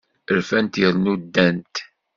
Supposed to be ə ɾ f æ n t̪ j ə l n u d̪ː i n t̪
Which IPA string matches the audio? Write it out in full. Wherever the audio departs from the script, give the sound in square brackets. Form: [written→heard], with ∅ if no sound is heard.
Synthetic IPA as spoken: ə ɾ f æ n t̪ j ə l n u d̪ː [i→æ] n t̪